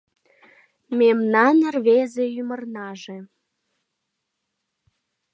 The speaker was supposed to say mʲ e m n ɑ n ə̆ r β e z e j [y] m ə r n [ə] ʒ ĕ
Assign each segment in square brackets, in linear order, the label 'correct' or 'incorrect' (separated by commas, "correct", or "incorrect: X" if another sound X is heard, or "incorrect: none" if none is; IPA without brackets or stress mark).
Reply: correct, incorrect: ɑ